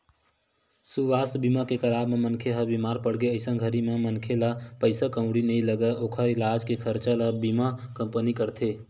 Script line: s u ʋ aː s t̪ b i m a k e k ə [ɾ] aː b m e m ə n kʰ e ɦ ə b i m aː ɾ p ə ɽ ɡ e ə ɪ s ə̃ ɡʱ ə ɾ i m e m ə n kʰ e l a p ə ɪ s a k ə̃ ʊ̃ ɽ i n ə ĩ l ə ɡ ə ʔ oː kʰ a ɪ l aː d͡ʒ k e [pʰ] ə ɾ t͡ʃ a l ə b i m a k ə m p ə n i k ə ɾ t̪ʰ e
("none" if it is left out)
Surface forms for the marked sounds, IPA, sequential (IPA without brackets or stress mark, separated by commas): l, kʰ